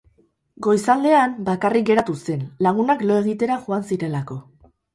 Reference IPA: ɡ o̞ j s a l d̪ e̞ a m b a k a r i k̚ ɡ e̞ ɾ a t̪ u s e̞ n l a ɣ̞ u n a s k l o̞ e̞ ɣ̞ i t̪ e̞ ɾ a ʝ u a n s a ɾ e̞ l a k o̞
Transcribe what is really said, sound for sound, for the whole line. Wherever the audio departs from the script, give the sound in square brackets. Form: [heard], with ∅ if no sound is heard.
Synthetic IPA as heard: ɡ o̞ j s a l d̪ e̞ a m b a k a r i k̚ ɡ e̞ ɾ a t̪ u s e̞ n l a ɣ̞ u n a [∅] k l o̞ e̞ ɣ̞ i t̪ e̞ ɾ a ʝ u a n s [i] ɾ e̞ l a k o̞